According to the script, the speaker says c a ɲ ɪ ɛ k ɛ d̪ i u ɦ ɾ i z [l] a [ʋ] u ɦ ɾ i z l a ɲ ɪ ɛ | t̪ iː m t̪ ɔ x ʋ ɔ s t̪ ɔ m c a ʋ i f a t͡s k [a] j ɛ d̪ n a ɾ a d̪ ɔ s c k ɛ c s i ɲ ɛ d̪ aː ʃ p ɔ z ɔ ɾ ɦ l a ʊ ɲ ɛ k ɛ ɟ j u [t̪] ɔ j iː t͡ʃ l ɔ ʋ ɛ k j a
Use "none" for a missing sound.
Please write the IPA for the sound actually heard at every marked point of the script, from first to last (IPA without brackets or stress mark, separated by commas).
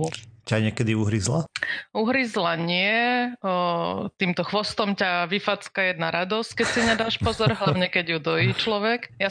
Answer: l, none, a, d̪